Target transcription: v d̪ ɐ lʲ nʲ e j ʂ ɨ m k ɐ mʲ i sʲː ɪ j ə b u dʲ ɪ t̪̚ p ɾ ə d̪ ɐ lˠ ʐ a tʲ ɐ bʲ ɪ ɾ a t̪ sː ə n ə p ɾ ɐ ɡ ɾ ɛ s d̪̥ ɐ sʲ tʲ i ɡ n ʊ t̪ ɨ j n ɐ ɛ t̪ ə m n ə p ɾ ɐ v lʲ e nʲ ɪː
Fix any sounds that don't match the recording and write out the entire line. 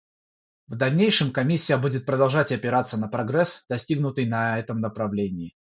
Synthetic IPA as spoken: v d̪ ɐ lʲ nʲ e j ʂ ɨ m k ɐ mʲ i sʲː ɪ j ə b u dʲ ɪ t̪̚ p ɾ ə d̪ ɐ lˠ ʐ a tʲ ɐ pʲ ɪ ɾ a t̪ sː ə n ə p ɾ ɐ ɡ ɾ ɛ s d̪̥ ɐ sʲ tʲ i ɡ n ʊ t̪ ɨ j n ɐ ɛ t̪ ə m n ə p ɾ ɐ v lʲ e nʲ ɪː